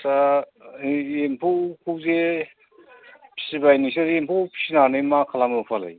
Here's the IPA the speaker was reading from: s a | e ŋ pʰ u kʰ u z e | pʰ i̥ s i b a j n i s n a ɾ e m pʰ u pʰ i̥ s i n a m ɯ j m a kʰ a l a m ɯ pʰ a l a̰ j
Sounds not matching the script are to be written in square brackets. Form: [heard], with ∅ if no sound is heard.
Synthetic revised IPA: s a | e [m] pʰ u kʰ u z e | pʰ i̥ s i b a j n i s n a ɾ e m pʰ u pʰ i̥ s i n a [n] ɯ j m a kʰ a l a m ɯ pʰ a l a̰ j